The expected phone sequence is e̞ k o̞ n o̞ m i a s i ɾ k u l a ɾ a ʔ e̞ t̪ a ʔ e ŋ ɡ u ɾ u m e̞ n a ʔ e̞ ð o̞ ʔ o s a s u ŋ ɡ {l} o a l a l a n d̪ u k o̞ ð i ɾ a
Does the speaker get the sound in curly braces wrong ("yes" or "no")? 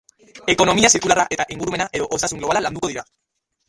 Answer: no